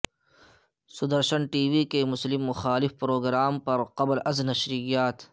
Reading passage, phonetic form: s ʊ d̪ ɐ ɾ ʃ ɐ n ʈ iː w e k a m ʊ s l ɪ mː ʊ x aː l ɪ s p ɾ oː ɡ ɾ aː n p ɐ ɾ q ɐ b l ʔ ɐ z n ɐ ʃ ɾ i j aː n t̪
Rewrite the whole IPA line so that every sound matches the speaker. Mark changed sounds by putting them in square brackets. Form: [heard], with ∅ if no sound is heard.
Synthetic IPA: s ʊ d̪ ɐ ɾ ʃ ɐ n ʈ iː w [i] k [e] m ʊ s l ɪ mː ʊ x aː l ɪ [f] p ɾ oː ɡ ɾ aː [m] p ɐ ɾ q ɐ b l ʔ ɐ z n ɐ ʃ ɾ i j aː [∅] t̪